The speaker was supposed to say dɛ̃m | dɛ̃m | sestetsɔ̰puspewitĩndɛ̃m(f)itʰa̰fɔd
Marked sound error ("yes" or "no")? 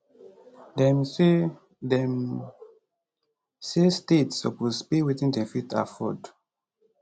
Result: no